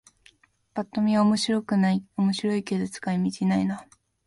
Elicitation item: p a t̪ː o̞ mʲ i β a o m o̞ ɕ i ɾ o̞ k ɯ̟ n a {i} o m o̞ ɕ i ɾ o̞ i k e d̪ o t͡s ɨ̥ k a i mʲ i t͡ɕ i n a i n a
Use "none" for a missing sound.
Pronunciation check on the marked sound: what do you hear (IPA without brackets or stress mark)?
i